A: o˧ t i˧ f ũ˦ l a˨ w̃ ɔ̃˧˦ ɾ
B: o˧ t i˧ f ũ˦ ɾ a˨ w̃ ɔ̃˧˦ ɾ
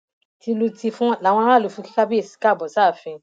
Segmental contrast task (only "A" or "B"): A